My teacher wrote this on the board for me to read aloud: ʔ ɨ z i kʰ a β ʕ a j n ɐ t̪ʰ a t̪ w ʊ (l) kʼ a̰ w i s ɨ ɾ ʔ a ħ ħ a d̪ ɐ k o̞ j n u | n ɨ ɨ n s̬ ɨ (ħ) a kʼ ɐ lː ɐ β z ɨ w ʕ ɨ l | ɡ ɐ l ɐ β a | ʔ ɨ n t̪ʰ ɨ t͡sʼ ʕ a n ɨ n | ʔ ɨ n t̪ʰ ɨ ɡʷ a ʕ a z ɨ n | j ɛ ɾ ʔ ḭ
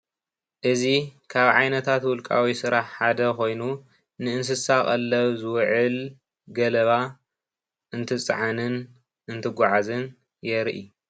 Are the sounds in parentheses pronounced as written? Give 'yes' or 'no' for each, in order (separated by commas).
yes, no